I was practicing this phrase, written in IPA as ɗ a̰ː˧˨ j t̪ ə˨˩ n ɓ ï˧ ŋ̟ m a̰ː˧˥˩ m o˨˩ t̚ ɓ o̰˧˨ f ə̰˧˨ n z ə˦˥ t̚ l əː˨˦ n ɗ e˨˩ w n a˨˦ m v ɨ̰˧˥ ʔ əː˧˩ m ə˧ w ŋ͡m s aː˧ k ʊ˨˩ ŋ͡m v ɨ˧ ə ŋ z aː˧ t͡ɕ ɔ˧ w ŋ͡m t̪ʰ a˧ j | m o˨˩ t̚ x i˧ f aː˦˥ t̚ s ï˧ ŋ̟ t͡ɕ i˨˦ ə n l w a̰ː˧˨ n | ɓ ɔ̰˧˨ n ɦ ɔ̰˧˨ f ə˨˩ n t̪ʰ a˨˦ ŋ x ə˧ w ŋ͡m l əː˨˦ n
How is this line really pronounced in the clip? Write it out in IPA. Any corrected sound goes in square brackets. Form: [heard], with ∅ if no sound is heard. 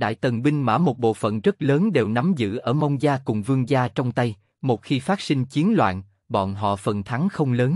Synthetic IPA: ɗ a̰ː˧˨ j t̪ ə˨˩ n ɓ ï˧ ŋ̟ m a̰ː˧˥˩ m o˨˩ t̚ ɓ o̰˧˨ f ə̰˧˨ n z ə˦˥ t̚ l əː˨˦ n ɗ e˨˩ w n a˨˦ m [z] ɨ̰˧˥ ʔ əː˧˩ m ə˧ w ŋ͡m [z] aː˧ k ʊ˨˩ ŋ͡m v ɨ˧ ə ŋ z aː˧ t͡ɕ ɔ˧ w ŋ͡m [t̪] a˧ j | m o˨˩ t̚ x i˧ f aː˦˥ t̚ s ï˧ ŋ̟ t͡ɕ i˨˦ ə n l w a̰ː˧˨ n | ɓ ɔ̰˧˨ n ɦ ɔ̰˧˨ f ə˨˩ n t̪ʰ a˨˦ ŋ x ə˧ w ŋ͡m l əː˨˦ n